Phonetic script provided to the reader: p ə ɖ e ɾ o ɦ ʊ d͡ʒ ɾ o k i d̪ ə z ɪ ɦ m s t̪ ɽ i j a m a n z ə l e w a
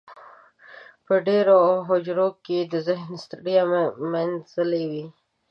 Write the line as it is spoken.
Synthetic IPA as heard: p ə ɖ e ɾ o ɦ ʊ d͡ʒ ɾ o k e d̪ ə z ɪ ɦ n s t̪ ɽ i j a m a n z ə l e w i